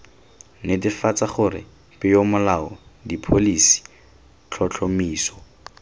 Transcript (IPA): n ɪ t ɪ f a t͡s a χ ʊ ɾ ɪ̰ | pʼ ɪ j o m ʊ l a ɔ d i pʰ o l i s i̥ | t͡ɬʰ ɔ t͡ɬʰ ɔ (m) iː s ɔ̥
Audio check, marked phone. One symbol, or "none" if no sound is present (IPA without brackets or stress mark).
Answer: m